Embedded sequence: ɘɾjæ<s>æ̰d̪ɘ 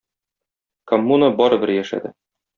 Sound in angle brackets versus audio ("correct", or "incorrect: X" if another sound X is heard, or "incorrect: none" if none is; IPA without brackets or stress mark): incorrect: ʃ